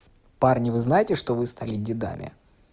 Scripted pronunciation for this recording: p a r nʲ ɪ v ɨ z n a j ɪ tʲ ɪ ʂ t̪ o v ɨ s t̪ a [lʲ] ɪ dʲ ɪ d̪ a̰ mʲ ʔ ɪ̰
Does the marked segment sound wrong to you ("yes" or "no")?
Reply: no